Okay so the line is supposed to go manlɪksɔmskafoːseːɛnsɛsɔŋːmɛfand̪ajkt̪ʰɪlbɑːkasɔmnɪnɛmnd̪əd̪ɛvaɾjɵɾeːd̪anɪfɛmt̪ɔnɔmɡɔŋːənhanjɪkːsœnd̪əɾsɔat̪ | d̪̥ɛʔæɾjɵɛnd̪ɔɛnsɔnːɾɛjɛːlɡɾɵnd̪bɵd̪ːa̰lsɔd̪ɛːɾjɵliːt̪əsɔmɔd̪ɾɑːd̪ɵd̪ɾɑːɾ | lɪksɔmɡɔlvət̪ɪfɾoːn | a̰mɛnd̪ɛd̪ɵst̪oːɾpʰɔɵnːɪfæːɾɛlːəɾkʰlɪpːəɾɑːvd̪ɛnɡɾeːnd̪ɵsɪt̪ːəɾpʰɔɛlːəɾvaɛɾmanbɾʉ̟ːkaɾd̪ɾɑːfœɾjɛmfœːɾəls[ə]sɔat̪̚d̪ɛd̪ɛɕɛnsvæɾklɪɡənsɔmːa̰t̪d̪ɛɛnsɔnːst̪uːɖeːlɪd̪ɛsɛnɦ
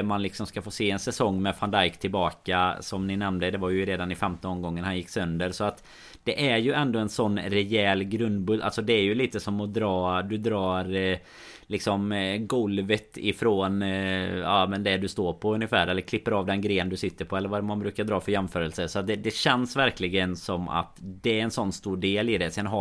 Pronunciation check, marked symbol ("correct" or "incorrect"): correct